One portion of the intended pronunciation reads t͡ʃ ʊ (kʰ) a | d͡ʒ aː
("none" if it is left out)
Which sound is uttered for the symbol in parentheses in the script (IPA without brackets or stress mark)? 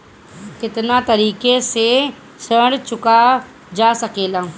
k